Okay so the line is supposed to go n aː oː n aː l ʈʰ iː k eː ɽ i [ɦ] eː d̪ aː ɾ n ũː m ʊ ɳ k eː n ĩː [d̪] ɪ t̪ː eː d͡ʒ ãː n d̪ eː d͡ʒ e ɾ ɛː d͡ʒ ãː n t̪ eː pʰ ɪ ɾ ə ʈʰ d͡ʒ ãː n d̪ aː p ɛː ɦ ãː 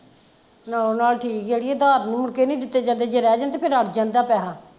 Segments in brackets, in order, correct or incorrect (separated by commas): incorrect, correct